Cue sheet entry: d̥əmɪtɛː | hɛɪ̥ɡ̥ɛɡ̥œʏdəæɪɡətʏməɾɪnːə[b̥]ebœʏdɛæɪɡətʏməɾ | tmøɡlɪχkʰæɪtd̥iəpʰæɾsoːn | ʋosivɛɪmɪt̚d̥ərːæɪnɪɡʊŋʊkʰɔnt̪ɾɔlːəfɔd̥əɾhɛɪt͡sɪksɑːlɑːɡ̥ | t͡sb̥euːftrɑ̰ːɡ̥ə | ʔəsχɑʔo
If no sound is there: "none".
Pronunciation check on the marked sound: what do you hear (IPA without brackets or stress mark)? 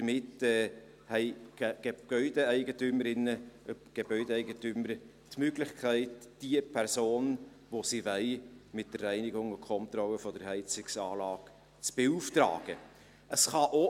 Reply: ɡ̥